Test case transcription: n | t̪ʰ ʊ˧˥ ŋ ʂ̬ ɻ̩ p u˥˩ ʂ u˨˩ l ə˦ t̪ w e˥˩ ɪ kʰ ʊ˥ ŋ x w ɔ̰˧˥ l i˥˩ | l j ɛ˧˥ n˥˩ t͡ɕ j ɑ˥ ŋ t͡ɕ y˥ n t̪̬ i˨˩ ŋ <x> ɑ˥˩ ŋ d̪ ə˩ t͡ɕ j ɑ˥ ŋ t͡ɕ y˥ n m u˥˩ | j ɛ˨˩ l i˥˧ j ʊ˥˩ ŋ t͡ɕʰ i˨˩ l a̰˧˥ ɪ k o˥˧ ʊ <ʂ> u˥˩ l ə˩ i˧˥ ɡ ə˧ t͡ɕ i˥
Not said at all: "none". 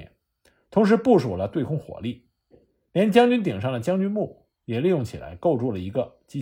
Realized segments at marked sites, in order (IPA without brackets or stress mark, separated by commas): ʂ, ʈ͡ʂ